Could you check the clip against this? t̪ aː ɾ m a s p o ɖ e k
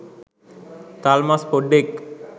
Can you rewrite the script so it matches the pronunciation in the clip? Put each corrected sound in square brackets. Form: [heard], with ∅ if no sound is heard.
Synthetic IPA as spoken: t̪ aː [l] m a s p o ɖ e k